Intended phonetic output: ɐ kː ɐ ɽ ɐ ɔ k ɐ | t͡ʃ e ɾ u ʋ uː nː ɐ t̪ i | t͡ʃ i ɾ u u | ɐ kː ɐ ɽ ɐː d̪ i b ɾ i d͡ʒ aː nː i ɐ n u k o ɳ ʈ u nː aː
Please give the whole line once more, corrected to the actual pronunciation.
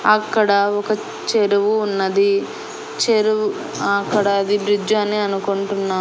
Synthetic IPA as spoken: ɐ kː ɐ ɽ ɐ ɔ k ɐ | t͡ʃ e ɾ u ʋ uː nː ɐ d̪ i | t͡ʃ e ɾ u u | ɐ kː ɐ ɽ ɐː d̪ i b ɾ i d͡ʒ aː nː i ɐ n u k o ɳ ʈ u nː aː